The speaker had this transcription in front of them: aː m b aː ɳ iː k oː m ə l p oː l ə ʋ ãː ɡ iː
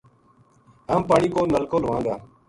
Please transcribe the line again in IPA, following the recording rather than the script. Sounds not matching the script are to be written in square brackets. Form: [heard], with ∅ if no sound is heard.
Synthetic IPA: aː m [p] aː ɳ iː k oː [n] ə l [k] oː l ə ʋ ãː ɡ [aː]